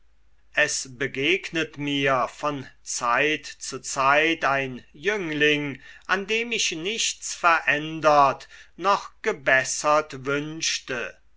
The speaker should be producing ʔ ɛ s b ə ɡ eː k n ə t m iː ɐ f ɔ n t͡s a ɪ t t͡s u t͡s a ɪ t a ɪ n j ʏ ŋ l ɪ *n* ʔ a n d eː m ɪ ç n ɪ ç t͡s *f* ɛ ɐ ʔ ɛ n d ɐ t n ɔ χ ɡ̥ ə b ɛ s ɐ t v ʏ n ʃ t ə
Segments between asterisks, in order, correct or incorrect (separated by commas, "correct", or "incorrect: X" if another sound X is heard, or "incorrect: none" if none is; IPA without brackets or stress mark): incorrect: ŋ, correct